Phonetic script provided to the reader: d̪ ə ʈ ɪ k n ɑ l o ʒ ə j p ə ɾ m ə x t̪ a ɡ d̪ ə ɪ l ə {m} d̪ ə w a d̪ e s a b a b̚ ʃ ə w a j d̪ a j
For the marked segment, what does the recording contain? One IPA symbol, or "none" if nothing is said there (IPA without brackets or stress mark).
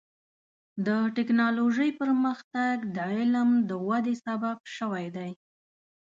m